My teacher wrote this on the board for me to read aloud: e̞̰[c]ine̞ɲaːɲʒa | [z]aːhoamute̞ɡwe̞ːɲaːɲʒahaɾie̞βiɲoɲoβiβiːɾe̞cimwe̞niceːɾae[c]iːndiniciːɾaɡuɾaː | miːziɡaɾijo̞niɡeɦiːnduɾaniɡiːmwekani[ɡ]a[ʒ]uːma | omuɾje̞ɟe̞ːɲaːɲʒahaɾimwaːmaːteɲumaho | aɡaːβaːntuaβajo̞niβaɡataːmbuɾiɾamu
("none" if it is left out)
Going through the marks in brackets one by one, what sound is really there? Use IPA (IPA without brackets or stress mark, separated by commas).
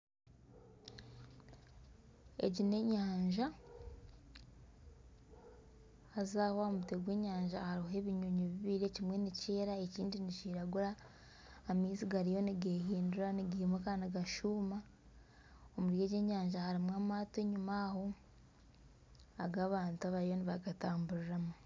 ɟ, z, c, ɡ, ʃ